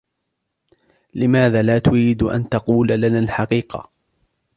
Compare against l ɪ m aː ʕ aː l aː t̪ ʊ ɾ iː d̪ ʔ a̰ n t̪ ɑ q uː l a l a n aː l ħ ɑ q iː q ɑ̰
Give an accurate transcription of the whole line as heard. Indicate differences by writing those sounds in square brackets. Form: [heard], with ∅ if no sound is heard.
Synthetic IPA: l ɪ m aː [ð] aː l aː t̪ ʊ ɾ iː d̪ ʔ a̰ n t̪ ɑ q uː l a l a n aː l ħ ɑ q iː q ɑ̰